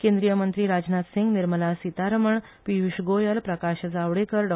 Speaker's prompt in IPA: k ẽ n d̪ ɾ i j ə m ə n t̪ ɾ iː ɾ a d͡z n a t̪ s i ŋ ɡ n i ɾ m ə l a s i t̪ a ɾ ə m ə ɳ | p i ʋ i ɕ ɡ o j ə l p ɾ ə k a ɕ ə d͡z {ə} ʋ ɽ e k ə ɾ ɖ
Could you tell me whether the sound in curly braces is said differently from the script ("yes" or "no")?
yes